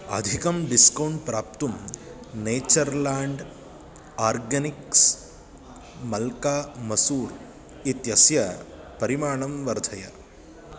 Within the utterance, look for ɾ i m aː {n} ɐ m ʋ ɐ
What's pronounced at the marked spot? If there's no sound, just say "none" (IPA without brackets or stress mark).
ɳ